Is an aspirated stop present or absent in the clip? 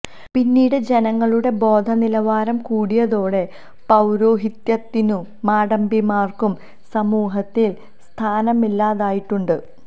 present